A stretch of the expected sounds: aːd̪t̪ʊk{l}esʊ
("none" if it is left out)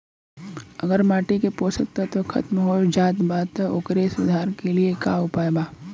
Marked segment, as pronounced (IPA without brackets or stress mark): ɾ